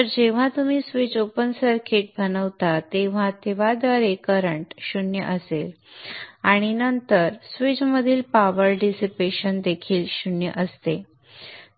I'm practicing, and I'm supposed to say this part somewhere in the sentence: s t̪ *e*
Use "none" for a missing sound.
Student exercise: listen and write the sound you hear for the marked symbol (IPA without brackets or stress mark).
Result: e